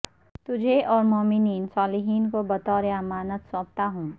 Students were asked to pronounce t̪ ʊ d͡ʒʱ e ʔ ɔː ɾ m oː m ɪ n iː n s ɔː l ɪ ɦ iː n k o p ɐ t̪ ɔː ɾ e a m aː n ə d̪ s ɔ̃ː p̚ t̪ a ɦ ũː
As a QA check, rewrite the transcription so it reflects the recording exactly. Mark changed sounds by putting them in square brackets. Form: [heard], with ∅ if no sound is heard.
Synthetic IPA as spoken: t̪ ʊ d͡ʒʱ e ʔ ɔː ɾ m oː m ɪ n iː n s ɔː l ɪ ɦ iː n k o [b] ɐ t̪ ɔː ɾ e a m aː n ə [t̪] s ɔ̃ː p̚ t̪ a ɦ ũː